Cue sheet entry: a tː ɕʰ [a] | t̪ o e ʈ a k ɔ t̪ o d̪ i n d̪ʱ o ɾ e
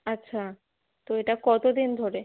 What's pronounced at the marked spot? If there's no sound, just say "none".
a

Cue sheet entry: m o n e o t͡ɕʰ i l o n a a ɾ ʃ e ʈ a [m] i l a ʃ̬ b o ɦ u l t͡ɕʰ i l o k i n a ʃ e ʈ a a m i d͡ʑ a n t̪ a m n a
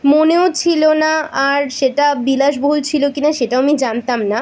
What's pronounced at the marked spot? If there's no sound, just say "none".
b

